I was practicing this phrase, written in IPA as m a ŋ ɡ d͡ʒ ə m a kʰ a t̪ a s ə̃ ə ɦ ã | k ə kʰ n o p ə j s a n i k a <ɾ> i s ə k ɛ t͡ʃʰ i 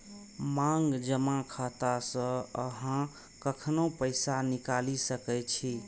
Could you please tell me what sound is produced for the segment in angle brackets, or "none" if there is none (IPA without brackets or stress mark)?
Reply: l